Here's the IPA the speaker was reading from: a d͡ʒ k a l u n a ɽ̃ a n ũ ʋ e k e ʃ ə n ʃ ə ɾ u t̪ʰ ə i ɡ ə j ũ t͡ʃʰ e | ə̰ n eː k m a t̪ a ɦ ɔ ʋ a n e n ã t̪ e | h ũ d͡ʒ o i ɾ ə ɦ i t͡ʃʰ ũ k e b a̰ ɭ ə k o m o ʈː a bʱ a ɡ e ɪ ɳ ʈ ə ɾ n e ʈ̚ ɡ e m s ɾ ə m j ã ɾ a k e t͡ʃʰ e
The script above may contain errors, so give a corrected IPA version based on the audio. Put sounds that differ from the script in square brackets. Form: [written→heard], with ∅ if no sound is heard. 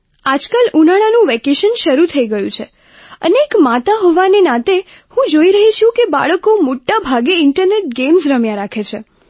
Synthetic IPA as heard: a d͡ʒ k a l u n a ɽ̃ a n ũ ʋ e k e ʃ ə n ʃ ə ɾ u t̪ʰ ə i ɡ ə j ũ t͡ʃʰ e | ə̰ n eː k m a t̪ a ɦ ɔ ʋ a n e n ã t̪ e | h ũ d͡ʒ o i ɾ ə ɦ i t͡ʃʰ ũ k e b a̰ ɭ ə k o m o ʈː a bʱ a ɡ e ɪ ɳ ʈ ə ɾ n e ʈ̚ ɡ e m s ɾ ə m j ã ɾ a [k→kʰ] e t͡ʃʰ e